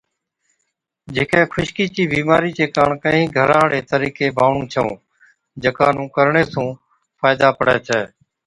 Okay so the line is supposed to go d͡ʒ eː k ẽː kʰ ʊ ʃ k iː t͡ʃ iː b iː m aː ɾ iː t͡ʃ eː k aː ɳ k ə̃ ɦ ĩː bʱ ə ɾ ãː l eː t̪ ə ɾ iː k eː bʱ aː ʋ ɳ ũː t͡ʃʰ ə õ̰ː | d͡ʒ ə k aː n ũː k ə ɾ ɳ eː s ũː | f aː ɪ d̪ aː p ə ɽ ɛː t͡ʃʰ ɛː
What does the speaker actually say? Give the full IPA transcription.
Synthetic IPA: d͡ʒ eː k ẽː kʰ ʊ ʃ k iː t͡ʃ iː b iː m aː ɾ iː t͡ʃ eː k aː ɳ k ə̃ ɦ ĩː ɡʱ ə ɾ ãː ɽ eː t̪ ə ɾ iː k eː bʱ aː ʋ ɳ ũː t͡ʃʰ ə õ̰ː | d͡ʒ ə k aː n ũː k ə ɾ ɳ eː s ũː | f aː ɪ d̪ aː p ə ɽ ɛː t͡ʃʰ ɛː

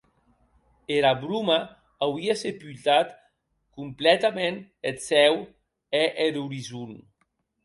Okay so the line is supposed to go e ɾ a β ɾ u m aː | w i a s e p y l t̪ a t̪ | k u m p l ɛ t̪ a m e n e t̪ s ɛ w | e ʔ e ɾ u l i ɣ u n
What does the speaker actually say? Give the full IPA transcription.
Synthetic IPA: e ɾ a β ɾ u m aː | w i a s e p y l t̪ a t̪ | k u m p l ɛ t̪ a m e n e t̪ s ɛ w | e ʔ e ɾ u ɾ i z u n

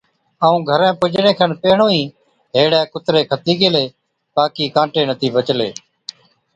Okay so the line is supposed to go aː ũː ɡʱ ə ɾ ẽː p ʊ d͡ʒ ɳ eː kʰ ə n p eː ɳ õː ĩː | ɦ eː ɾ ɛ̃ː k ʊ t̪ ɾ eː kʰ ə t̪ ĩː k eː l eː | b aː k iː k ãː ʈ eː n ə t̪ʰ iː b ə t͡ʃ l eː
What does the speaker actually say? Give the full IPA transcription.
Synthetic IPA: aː ũː ɡʱ ə ɾ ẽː p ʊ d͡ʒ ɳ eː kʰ ə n p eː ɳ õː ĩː | ɦ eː ɽ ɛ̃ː k ʊ t̪ ɾ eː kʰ ə t̪ iː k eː l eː | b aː k iː k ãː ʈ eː n ə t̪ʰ iː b ə t͡ʃ l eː

